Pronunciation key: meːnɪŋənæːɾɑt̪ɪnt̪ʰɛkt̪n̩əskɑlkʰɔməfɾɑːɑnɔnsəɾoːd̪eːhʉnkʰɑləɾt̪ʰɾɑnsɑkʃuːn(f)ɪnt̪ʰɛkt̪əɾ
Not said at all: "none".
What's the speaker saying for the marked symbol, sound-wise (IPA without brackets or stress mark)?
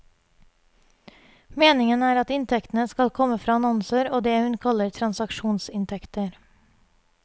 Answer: s